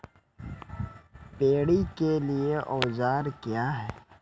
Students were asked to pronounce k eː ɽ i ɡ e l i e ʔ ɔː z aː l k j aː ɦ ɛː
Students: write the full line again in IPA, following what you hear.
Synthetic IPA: p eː ɽ i k e l i e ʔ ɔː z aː ɾ k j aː ɦ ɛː